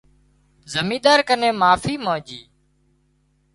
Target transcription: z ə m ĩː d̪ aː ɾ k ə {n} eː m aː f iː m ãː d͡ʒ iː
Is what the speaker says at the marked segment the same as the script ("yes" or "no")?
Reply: yes